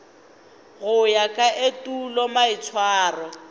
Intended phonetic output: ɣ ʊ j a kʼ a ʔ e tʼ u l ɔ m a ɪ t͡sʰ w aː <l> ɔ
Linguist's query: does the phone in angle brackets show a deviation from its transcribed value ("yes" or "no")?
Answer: yes